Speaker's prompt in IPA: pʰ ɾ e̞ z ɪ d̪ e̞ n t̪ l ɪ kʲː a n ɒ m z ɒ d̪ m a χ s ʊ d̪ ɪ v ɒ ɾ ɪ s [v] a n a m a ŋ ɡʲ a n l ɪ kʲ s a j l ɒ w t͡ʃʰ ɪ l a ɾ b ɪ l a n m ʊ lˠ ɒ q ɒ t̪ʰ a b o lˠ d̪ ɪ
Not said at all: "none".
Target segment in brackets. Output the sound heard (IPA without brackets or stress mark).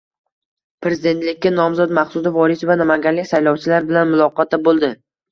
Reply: v